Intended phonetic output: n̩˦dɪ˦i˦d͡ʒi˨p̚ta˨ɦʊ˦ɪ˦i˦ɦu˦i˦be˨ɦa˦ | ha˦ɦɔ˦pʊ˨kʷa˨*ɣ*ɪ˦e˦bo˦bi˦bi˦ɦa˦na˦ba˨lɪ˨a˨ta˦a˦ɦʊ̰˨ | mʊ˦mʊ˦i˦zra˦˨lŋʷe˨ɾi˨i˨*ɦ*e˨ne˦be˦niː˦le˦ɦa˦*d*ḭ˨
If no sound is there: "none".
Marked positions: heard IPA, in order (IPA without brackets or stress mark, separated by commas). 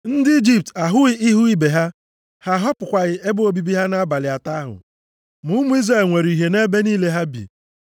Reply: ɣ, ɦ, b